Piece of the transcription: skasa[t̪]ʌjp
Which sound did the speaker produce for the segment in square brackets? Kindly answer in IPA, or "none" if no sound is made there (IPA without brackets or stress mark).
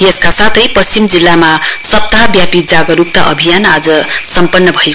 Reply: t̪ʰ